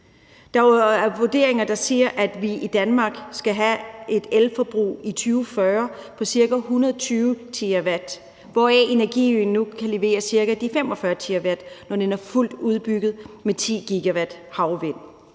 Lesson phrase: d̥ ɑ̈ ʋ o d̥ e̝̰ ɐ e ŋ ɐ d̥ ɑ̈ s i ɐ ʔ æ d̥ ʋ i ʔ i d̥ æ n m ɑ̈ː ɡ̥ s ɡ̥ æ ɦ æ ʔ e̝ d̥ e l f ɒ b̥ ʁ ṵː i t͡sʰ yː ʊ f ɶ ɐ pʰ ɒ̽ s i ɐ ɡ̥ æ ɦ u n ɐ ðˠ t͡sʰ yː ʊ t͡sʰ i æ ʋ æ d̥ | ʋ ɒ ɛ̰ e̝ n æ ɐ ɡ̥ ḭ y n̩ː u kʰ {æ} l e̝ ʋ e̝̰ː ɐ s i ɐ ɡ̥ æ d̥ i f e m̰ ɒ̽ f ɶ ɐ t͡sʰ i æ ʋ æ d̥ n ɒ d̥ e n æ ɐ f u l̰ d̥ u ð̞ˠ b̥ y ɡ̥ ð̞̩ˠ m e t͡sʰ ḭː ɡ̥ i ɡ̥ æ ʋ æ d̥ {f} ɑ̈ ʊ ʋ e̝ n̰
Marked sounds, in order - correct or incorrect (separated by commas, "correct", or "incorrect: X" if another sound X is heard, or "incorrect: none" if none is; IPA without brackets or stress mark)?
correct, incorrect: h